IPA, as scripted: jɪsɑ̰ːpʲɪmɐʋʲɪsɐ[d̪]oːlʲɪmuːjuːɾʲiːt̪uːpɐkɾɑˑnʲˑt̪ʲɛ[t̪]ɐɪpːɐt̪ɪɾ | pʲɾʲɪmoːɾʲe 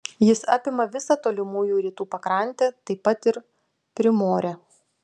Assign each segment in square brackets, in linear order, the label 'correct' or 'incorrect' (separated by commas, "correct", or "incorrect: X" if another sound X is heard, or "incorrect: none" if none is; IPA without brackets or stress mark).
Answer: incorrect: t̪, correct